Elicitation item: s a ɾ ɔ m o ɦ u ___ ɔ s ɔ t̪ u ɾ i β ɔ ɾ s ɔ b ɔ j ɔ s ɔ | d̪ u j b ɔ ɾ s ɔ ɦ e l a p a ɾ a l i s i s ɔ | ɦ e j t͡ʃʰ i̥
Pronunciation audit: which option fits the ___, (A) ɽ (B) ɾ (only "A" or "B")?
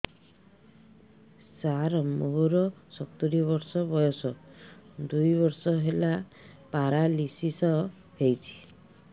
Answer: B